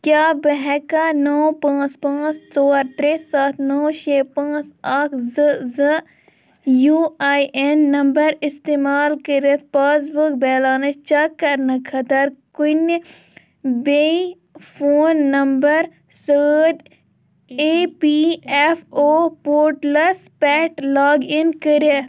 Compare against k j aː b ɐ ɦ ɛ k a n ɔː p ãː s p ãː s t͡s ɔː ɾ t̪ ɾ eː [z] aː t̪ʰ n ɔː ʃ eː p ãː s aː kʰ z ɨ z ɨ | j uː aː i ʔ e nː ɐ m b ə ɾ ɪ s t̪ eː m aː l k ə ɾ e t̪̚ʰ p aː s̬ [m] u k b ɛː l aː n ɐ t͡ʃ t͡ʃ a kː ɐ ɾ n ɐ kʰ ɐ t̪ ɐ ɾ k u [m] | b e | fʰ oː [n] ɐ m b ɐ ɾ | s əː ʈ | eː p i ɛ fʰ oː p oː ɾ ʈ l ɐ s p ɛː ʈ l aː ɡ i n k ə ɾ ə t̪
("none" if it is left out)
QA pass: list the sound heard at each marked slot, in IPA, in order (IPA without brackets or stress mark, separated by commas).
s, b, n, nː